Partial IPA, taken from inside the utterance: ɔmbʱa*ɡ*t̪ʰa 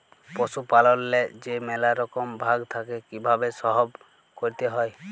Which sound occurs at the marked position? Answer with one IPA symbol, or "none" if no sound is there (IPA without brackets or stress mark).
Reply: ɡ